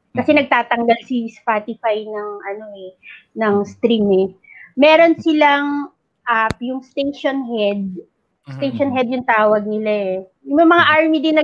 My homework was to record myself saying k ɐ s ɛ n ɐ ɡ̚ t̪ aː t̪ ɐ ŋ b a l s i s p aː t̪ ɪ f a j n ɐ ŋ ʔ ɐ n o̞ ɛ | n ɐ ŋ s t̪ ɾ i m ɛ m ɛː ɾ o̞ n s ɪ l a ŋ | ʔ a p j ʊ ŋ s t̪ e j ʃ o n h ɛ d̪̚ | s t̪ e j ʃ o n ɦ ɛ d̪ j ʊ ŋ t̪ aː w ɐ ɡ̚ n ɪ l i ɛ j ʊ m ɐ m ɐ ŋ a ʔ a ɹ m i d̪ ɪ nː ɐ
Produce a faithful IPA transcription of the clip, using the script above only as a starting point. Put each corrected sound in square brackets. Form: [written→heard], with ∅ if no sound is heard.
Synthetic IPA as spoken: k ɐ s ɛ n ɐ ɡ̚ t̪ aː t̪ ɐ ŋ [b→ɡ] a l s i s p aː t̪ ɪ f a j n ɐ ŋ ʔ ɐ n o̞ ɛ | n ɐ ŋ s t̪ ɾ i m ɛ m ɛː ɾ o̞ n s ɪ l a ŋ | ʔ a p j ʊ ŋ s t̪ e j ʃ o n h ɛ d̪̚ | s t̪ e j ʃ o n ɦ ɛ d̪ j ʊ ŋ t̪ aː w ɐ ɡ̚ n ɪ l [i→a] ɛ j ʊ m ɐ m ɐ ŋ a ʔ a ɹ m i d̪ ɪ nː ɐ